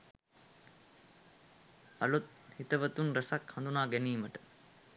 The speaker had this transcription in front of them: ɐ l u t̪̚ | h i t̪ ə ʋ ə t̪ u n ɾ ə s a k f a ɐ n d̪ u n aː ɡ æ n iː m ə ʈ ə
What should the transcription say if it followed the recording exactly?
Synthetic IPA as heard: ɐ l u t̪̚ | h i t̪ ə ʋ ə t̪ u n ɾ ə s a k h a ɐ n d̪ u n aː ɡ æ n iː m ə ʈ ə

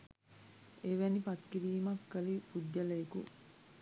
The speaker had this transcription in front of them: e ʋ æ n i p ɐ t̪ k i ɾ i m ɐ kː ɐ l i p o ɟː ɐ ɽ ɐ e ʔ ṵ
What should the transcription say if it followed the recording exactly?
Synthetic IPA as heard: e ʋ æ n i p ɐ t̪ k i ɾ iː m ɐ kː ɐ l i p u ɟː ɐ l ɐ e k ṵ

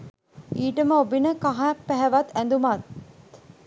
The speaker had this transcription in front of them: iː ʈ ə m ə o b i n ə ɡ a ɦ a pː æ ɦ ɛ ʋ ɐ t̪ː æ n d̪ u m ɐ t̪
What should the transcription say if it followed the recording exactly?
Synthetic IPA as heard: iː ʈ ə m ə o b i n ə k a ɦ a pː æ ɦ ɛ ʋ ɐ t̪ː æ n d̪ u m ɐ t̪

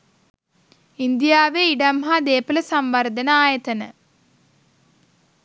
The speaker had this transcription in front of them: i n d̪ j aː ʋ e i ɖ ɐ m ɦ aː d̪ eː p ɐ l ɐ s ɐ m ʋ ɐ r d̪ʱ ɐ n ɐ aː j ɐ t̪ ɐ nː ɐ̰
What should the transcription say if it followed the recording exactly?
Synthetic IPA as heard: i n d̪ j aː ʋ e i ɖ ɐ m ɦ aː d̪ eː p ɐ l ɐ s ɐ m ʋ ɐ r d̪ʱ ɐ n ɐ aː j ɐ t̪ ɐ n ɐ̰

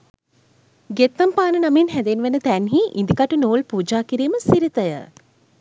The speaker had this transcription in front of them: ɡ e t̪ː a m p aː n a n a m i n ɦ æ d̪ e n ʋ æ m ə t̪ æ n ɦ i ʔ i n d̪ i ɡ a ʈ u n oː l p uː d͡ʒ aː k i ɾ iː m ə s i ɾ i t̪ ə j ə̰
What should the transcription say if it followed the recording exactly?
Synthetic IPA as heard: ɡ e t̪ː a m p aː n ə n a m i n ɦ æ d̪ e n ʋ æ n ə t̪ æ n ɦ i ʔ i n d̪ i k a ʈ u n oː l p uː d͡ʒ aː k i ɾ iː m ə s i ɾ i t̪ ə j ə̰

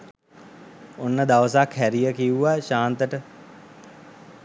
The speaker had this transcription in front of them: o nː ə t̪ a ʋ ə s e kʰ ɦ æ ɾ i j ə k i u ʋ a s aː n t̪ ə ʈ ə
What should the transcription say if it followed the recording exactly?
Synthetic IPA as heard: o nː ə d̪ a ʋ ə s a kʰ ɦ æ ɾ i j ə k i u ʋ a ʃ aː n t̪ ə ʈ ə

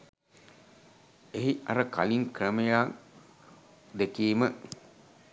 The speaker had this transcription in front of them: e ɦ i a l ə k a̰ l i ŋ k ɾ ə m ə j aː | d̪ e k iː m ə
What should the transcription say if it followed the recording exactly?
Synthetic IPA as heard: e ɦ i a ɾ ə k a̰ l i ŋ k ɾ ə m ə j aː | d̪ e k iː m ə

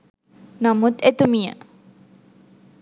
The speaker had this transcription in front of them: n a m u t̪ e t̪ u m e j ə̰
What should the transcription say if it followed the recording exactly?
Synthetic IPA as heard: n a m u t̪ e t̪ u m i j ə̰

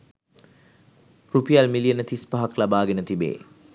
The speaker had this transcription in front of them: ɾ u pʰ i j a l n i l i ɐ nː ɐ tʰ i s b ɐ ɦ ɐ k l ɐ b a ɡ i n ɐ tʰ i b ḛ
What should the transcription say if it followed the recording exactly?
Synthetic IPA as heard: ɾ u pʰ i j a l m i l i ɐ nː ɐ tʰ i s p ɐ ɦ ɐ k l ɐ b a ɡ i n ɐ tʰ i b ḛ

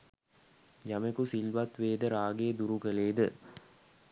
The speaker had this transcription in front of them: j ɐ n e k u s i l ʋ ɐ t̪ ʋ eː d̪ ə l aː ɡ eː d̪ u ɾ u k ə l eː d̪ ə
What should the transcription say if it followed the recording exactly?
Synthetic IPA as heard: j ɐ m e k u s i l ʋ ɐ t̪ ʋ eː d̪ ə ɾ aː ɡ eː d̪ u ɾ u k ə l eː d̪ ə

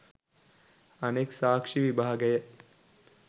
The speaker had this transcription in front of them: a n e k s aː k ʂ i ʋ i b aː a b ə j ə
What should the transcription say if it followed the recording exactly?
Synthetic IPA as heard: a n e k s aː k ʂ i ʋ i b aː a ɡ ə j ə

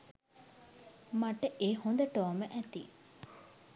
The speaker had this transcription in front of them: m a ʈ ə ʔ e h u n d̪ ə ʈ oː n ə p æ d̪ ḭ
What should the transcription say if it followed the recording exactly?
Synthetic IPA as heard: m a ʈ ə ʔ e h o n d̪ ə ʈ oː m ə ʔ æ t̪ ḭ

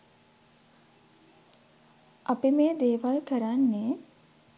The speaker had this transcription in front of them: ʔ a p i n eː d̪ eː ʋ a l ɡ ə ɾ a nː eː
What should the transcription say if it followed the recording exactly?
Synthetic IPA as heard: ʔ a p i m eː d̪ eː ʋ a l k ə ɾ a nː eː

